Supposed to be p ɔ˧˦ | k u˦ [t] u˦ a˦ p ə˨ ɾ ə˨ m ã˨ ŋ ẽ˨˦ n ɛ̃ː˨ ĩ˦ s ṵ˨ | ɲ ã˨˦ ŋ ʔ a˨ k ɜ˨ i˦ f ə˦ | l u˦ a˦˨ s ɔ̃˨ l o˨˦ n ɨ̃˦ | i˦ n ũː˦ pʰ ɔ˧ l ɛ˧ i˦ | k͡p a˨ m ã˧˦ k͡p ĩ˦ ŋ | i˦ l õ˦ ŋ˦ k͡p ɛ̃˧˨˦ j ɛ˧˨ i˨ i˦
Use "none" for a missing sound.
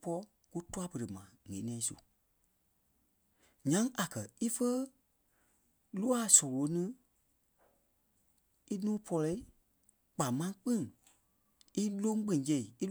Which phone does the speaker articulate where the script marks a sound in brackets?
t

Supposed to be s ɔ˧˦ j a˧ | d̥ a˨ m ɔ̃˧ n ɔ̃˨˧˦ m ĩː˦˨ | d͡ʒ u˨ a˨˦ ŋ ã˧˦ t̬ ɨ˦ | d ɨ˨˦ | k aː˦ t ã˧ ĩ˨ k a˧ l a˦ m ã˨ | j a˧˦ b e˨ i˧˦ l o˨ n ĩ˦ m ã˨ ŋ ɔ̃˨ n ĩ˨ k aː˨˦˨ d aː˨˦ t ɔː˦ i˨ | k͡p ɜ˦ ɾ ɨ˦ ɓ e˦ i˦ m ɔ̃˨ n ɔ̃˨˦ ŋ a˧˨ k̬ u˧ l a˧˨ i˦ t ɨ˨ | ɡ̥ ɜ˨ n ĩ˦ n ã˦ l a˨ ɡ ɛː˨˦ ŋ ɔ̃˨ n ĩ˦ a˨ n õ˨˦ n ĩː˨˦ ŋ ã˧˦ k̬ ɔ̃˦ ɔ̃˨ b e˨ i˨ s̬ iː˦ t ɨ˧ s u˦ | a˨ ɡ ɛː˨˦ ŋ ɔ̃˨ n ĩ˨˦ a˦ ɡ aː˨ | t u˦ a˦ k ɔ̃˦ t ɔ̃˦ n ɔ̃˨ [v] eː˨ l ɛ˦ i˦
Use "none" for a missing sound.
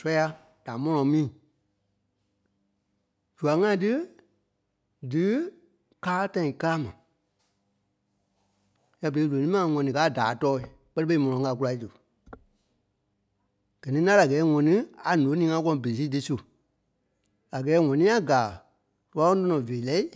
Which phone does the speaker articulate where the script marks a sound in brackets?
v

